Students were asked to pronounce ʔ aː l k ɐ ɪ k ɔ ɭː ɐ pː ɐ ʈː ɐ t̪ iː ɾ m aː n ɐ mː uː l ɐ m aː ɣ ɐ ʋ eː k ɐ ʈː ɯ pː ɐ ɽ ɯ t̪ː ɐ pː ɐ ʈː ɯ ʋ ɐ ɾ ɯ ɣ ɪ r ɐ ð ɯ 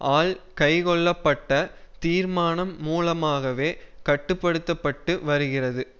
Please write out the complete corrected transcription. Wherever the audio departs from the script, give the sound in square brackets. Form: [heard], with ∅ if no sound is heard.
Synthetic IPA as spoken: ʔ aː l k ɐ ɪ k ɔ ɭː ɐ pː ɐ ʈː ɐ t̪ iː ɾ m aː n ɐ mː uː l ɐ m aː ɣ ɐ ʋ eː k ɐ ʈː ɯ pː ɐ ɽ ɯ t̪ː ɐ pː ɐ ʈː ɯ ʋ ɐ ɾ ɯ ɣ ɪ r ɐ ð ɯ